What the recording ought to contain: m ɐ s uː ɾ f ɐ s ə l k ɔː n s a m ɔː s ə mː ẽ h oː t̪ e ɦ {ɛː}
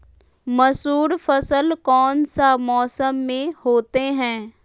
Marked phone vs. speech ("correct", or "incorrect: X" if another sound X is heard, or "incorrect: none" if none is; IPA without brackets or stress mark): incorrect: ɛ̃ː